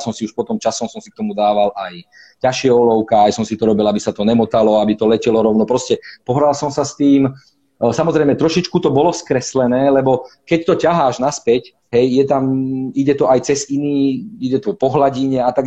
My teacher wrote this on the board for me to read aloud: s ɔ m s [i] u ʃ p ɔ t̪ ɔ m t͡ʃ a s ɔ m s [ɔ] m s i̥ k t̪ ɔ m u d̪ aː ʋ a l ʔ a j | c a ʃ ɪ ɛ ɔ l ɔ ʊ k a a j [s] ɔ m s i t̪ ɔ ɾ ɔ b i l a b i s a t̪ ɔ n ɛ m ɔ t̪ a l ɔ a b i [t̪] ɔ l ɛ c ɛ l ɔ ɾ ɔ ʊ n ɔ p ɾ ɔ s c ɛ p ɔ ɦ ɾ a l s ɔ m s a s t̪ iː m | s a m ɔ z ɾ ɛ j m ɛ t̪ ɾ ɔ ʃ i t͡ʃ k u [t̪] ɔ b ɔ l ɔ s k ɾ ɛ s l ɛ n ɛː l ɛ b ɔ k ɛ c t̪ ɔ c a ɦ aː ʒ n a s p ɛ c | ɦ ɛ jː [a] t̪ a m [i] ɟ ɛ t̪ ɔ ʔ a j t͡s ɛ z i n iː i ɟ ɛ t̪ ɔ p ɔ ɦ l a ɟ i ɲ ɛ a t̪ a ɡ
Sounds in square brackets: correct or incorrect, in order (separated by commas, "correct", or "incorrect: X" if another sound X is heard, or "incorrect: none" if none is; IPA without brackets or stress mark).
correct, correct, correct, correct, correct, incorrect: ɛ, correct